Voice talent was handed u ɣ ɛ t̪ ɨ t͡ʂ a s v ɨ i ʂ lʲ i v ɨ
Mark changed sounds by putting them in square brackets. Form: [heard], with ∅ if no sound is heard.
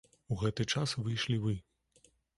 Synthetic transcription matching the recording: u ɣ ɛ t̪ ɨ t͡ʂ a s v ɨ [j] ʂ lʲ i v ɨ